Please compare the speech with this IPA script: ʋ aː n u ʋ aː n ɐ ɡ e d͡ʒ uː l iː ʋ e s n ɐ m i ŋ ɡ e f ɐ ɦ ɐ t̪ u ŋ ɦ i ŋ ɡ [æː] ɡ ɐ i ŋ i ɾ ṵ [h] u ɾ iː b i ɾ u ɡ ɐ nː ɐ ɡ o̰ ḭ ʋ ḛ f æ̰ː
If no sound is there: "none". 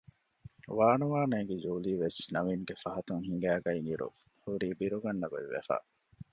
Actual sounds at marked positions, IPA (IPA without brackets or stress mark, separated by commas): æː, h